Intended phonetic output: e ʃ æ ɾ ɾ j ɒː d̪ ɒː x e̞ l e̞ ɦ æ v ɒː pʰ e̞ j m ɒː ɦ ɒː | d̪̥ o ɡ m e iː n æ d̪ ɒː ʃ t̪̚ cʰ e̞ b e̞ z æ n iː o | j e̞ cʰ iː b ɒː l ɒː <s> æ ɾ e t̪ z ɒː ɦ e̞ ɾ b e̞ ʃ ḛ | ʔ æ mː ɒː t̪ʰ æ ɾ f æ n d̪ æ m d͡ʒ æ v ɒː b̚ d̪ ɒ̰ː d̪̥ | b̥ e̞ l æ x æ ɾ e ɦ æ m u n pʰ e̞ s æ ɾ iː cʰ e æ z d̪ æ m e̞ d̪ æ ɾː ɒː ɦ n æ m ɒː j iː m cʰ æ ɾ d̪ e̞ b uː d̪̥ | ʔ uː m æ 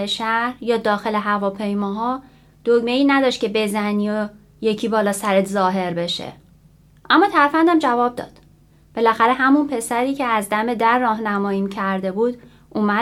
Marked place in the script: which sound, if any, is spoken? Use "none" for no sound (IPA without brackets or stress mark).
s